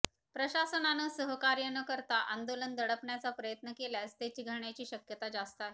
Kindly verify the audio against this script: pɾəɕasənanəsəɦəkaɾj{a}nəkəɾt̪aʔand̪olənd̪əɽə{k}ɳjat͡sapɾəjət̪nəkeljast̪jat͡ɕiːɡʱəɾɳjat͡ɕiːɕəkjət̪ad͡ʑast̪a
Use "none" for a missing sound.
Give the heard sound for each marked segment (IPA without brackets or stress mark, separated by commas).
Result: ə, p